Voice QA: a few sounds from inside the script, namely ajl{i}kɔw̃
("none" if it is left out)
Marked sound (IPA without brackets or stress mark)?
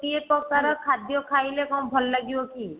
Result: e